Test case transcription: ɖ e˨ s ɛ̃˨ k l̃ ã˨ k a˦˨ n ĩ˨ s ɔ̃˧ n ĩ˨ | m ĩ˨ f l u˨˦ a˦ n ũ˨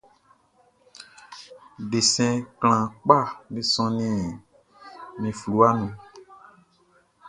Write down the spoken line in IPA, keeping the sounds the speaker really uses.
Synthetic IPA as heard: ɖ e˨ s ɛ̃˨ k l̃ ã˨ k͡p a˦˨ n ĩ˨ s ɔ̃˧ n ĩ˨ | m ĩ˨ f l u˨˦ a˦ n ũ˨